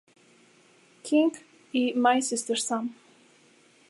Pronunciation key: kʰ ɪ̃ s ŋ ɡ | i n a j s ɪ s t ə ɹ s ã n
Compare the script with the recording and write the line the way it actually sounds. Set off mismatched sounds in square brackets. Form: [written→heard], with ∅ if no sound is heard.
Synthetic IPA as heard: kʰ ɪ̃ [s→∅] ŋ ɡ | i [n→m] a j s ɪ s t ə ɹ s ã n

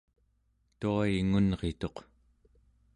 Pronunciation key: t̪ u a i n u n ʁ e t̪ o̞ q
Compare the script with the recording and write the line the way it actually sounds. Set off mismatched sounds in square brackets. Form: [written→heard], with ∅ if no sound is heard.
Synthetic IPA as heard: t̪ u a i [n→ŋ] u n ʁ e t̪ o̞ q

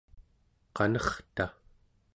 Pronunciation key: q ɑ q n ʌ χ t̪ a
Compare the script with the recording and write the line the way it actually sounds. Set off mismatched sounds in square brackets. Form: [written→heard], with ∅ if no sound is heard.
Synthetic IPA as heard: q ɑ [q→∅] n ʌ χ t̪ a

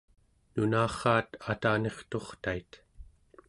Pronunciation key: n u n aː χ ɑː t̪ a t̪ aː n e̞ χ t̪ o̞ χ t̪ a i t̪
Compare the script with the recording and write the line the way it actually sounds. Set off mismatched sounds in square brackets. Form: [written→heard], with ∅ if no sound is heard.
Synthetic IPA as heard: n u n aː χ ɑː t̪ a t̪ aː n e̞ χ t̪ o̞ χ t̪ a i t̪

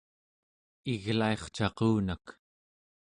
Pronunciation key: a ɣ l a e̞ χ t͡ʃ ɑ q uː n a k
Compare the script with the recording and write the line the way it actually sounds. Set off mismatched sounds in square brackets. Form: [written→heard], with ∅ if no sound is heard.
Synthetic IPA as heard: [a→i] ɣ l a e̞ χ t͡ʃ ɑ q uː n a k

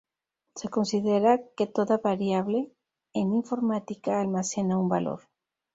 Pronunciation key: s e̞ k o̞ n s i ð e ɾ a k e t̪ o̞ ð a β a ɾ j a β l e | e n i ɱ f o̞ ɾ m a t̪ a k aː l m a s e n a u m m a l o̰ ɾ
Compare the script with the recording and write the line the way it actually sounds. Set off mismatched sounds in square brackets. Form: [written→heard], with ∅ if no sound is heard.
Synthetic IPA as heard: s e̞ k o̞ n s i ð e ɾ a k e t̪ o̞ ð a β a ɾ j a β l e | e n i ɱ f o̞ ɾ m a t̪ [a→i] k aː l m a s e n a u m [m→b] a l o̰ ɾ

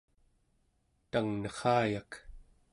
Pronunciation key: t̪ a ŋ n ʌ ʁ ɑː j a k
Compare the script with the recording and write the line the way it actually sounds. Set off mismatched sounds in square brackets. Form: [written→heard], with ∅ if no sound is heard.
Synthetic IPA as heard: t̪ a ŋ n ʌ [ʁ→χ] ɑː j a k

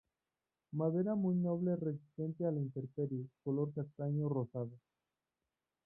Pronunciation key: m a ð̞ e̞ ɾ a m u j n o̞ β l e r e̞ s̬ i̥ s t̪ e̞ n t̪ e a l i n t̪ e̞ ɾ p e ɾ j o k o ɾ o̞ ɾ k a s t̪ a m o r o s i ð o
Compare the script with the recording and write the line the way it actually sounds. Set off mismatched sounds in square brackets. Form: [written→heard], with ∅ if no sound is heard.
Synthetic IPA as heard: m a ð̞ e̞ ɾ a m u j n o̞ β l e r e̞ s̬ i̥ s t̪ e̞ n t̪ e a l i n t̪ e̞ ɾ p e ɾ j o k o [ɾ→l] o̞ ɾ k a s t̪ a [m→ɲ] o r o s [i→a] ð o

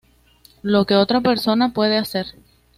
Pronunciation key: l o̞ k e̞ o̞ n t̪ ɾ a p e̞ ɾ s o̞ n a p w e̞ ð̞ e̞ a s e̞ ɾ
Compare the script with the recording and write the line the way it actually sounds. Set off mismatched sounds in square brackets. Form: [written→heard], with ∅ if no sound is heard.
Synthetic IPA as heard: l o̞ k e̞ o̞ [n→∅] t̪ ɾ a p e̞ ɾ s o̞ n a p w e̞ ð̞ e̞ a s e̞ ɾ

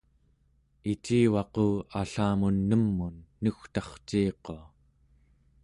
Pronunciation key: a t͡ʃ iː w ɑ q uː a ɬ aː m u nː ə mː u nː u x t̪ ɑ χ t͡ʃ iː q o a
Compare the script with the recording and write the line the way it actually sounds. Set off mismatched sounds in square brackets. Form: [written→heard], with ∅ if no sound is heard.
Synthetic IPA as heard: [a→i] t͡ʃ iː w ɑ q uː a ɬ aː m u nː ə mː u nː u x t̪ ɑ χ t͡ʃ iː q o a

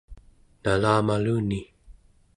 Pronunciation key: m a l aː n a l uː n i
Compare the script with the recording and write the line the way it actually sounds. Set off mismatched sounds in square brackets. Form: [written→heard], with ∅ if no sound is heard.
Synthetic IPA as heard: [m→n] a l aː [n→m] a l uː n i

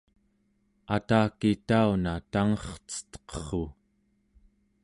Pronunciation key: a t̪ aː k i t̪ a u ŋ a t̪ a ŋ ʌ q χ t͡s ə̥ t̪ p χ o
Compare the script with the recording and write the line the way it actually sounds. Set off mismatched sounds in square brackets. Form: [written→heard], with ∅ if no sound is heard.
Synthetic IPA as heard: a t̪ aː k i t̪ a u [ŋ→n] a t̪ a ŋ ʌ [q→∅] χ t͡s ə̥ t̪ [p→q] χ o

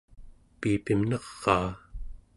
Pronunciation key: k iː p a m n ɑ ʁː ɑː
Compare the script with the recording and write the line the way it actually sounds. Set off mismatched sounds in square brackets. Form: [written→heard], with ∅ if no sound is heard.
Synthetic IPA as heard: [k→p] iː p [a→i] m n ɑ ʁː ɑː

